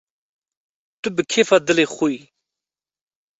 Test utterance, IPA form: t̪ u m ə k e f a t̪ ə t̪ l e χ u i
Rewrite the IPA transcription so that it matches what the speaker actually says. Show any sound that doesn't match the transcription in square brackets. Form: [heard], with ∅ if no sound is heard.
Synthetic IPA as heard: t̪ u [b] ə [kʰ] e f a [d̪] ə [∅] l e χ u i